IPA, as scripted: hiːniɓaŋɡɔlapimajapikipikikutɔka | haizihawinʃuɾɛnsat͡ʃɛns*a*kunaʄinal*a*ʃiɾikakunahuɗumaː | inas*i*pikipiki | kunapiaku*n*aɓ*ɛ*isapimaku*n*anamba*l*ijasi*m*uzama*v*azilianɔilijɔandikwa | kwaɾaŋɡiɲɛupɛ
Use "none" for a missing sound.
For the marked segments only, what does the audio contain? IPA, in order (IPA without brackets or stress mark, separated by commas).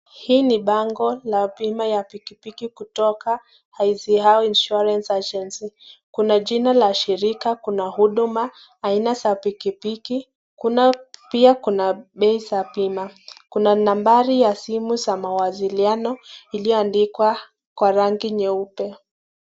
i, a, a, n, ɛ, n, ɾ, m, w